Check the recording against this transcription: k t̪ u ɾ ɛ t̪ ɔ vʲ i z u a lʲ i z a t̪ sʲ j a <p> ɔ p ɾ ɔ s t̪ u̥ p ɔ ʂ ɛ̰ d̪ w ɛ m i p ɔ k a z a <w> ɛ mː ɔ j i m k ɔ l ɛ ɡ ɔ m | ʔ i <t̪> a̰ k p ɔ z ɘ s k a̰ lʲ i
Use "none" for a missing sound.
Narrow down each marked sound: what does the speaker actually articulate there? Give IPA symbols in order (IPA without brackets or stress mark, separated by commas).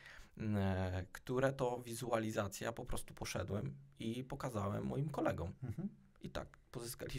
p, w, t̪